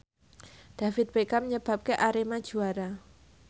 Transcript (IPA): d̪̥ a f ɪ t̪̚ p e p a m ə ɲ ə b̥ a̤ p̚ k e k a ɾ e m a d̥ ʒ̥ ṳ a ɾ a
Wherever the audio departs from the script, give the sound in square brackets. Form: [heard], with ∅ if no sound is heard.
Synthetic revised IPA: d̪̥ a f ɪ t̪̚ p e [k] a m ə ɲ ə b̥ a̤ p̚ k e [ʔ] a ɾ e m a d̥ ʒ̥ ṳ a ɾ a